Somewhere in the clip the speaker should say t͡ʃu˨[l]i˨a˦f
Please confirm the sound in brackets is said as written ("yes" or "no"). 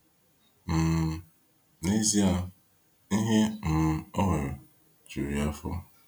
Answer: no